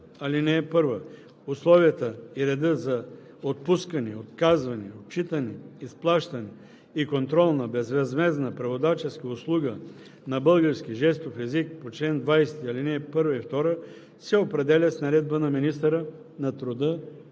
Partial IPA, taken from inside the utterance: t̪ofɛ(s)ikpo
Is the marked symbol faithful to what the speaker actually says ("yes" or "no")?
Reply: no